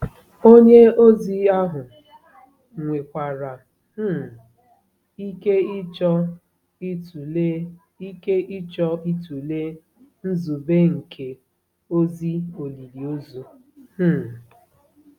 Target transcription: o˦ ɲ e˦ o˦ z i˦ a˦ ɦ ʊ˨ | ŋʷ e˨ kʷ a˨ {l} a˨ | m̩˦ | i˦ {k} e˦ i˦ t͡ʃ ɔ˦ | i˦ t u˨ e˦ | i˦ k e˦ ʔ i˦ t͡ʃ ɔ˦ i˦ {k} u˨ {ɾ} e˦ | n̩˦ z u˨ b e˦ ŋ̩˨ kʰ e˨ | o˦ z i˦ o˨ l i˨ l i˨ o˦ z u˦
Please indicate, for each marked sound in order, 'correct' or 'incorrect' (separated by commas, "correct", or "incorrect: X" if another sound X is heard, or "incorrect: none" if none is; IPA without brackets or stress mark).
incorrect: ɾ, correct, incorrect: t, incorrect: l